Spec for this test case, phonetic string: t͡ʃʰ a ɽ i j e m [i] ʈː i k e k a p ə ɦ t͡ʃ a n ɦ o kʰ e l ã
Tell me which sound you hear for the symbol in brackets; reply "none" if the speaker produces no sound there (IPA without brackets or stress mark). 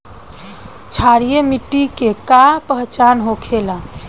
i